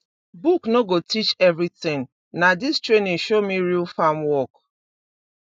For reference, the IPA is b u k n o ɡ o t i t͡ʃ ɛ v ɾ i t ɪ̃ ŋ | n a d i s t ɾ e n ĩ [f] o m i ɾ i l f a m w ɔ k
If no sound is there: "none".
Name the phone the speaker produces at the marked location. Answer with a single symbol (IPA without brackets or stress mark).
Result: ʃ